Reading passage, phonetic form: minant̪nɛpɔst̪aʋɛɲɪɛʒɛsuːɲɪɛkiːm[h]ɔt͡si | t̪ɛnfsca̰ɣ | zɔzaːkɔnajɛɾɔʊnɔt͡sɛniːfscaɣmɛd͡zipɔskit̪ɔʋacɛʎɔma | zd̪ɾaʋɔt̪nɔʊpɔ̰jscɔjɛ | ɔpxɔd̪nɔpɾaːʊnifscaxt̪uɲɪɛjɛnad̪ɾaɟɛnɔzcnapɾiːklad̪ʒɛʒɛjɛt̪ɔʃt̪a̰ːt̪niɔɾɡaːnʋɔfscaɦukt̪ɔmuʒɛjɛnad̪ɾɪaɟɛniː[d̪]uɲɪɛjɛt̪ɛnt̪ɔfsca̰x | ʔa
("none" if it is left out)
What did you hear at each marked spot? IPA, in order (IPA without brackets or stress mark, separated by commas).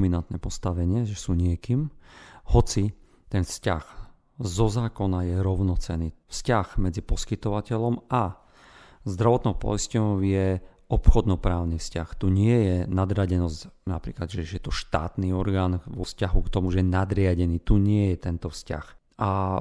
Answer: h, t̪